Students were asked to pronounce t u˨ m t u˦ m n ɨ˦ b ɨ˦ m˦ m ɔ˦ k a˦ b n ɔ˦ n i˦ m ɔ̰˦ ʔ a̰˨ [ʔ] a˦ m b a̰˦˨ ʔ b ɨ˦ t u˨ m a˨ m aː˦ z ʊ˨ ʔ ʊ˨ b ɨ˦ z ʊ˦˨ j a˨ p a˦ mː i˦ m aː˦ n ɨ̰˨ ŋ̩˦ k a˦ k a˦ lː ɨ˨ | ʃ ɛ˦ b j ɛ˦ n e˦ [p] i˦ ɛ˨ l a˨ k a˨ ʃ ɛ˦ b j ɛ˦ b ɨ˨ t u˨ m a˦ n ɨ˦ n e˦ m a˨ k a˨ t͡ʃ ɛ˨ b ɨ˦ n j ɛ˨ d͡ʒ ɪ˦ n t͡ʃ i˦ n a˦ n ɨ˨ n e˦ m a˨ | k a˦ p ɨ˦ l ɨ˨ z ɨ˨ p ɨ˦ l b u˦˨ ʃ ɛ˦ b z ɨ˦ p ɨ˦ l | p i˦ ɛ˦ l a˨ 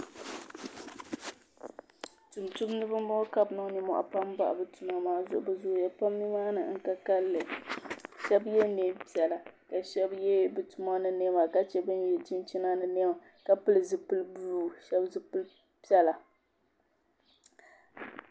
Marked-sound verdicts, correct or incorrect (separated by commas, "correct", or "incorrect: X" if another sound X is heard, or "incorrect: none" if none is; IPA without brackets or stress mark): incorrect: p, correct